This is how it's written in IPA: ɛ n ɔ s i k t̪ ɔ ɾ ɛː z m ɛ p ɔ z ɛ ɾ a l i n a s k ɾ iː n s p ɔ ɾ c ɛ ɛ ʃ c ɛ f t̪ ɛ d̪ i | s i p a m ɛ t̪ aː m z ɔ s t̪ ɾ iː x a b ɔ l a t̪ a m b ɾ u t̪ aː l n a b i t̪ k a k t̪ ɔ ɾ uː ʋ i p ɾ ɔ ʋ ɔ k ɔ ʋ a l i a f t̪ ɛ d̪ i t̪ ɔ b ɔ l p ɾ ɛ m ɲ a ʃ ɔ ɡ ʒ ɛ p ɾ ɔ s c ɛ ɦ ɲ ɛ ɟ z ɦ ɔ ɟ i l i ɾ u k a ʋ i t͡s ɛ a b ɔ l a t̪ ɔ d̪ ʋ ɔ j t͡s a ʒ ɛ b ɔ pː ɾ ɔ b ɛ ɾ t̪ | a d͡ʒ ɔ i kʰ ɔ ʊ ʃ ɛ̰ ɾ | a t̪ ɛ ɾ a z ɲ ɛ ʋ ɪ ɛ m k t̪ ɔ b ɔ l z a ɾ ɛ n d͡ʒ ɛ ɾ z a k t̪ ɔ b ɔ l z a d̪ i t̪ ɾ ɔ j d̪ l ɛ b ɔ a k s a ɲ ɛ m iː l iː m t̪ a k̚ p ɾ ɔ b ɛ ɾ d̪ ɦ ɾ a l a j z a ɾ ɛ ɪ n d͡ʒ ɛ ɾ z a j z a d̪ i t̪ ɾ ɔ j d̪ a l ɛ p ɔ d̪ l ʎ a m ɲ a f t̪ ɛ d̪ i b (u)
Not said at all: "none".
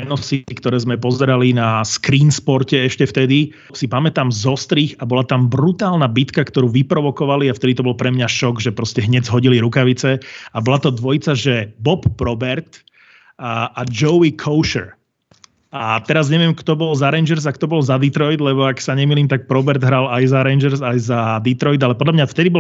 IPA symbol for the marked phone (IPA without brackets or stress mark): ɔ